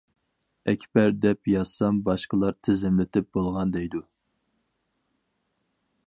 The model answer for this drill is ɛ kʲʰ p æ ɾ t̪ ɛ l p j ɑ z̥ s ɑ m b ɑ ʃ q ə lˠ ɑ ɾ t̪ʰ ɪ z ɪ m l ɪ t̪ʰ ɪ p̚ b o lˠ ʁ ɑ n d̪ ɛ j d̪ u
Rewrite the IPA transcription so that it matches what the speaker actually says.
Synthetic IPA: ɛ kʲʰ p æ ɾ d̪ ɛ p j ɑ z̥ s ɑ m b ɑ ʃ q ə lˠ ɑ ɾ t̪ʰ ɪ z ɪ m l ɪ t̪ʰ ɪ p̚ b o lˠ ʁ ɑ n d̪ ɛ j d̪ u